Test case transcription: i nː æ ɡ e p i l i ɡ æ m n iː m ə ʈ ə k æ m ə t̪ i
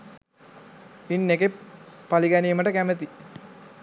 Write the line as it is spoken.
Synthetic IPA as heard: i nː e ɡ e p a l i ɡ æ n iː m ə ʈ ə k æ m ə t̪ i